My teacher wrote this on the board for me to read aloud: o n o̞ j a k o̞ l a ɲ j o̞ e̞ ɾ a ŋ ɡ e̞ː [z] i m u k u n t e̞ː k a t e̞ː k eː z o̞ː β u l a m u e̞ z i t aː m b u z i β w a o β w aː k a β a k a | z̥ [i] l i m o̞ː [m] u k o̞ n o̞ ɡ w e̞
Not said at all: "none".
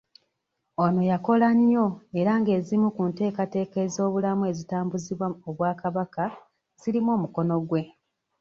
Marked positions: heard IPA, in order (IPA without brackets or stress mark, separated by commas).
z, i, m